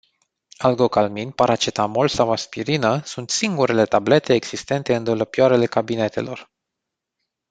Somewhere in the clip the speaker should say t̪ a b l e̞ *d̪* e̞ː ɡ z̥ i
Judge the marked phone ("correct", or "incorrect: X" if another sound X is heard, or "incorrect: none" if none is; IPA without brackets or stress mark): incorrect: t̪